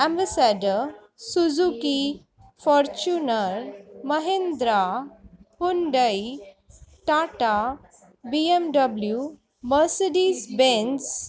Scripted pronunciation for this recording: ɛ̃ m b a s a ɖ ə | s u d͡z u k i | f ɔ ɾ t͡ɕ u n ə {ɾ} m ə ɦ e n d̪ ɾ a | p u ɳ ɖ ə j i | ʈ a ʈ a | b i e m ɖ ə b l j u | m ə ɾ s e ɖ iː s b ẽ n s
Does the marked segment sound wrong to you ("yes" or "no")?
no